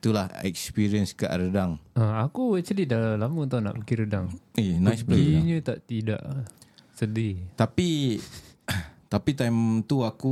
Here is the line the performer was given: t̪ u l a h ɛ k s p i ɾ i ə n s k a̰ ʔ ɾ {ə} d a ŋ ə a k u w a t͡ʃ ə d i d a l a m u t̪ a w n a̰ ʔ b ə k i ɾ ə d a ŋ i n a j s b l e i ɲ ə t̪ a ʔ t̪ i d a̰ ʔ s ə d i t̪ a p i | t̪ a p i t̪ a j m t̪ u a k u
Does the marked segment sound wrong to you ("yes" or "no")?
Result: no